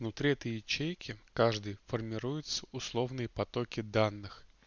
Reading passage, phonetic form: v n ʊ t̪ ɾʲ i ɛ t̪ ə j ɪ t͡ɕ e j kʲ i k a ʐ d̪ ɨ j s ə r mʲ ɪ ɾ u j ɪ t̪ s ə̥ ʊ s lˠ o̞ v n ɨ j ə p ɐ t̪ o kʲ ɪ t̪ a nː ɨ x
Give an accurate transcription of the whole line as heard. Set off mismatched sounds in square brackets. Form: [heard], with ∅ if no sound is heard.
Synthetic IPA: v n ʊ t̪ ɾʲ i ɛ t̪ ə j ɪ t͡ɕ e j kʲ [ɪ] k a ʐ d̪ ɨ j [f] ə r mʲ ɪ ɾ u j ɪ t̪ s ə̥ ʊ s lˠ o̞ v n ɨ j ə p ɐ t̪ o kʲ ɪ [d̪] a nː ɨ x